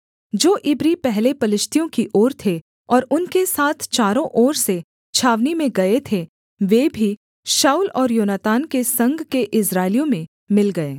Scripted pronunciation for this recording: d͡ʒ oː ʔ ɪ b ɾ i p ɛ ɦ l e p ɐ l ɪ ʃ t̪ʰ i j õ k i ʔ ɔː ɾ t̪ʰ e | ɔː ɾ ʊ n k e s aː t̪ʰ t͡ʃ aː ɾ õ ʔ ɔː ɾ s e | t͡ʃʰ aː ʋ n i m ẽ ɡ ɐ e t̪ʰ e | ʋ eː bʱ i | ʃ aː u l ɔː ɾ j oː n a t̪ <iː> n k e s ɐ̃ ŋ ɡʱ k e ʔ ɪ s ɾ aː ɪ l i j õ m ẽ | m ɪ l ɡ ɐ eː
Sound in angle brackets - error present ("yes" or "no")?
yes